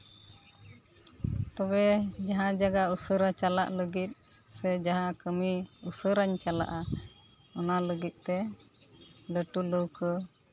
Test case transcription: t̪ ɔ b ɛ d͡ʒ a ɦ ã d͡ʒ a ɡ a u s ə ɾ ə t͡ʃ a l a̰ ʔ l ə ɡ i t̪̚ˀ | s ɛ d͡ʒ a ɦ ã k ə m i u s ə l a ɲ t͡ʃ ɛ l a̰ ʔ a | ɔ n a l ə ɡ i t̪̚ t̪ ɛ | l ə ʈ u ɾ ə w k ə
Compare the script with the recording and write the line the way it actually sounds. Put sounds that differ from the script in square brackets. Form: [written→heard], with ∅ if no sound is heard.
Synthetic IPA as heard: t̪ ɔ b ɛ d͡ʒ a ɦ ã d͡ʒ a ɡ a u s ə ɾ [ə→a] t͡ʃ a l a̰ ʔ l ə ɡ i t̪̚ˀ | s ɛ d͡ʒ a ɦ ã k ə m i u s ə [l→ɾ] a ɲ t͡ʃ [ɛ→a] l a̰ ʔ a | ɔ n a l ə ɡ i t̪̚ t̪ ɛ | l ə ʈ u [ɾ→l] ə w k ə